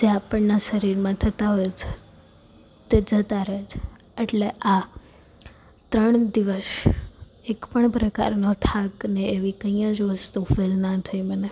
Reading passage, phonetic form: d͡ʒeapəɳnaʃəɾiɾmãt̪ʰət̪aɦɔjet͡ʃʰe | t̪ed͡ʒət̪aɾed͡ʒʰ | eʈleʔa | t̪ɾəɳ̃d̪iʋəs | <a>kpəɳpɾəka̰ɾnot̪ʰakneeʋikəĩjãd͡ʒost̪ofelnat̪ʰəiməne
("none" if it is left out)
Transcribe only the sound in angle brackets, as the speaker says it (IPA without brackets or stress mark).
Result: e